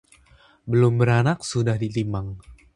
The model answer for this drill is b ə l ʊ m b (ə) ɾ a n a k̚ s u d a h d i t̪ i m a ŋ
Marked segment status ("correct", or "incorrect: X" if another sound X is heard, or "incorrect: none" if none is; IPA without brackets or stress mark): correct